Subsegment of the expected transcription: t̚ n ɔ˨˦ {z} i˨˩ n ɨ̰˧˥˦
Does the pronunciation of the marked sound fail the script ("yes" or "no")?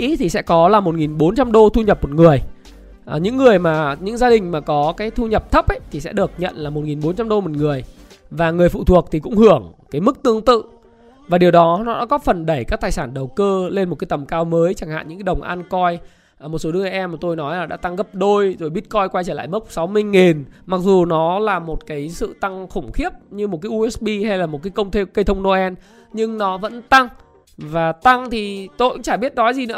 no